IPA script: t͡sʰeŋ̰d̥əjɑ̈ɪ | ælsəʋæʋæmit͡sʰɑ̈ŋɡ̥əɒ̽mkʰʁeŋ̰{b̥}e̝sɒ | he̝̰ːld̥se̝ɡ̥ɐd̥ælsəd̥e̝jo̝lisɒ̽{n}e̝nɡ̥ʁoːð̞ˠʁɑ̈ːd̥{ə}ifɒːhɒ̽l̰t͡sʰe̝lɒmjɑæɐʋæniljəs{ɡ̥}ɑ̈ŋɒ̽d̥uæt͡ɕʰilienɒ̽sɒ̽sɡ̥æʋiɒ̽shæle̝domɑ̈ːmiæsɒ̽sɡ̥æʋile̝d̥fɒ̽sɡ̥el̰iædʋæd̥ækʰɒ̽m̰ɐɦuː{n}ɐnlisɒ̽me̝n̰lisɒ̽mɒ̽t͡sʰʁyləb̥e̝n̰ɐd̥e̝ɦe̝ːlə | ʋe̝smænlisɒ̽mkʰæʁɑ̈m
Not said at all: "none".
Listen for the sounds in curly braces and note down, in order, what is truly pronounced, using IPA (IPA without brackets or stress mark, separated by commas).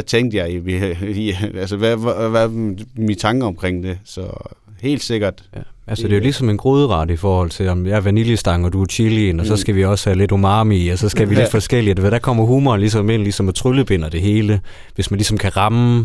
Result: d̥, m, ə, d̥, m